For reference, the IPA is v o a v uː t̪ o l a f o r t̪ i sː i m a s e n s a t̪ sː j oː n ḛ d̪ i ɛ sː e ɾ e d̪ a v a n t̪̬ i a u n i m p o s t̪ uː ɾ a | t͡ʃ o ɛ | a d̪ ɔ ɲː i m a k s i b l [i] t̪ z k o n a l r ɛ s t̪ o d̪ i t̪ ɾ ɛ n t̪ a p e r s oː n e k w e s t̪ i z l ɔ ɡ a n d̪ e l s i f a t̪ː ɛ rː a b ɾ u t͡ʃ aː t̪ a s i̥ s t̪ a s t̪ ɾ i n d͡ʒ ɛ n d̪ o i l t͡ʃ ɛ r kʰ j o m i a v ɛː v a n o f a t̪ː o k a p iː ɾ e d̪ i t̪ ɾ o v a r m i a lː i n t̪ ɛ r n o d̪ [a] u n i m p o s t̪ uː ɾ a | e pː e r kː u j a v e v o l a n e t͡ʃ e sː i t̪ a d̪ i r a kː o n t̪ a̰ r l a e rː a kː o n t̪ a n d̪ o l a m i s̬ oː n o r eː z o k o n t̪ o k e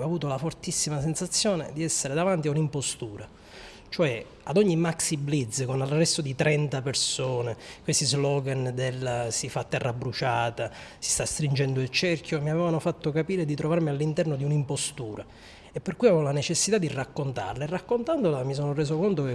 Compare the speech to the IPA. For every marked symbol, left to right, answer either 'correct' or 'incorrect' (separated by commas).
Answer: correct, incorrect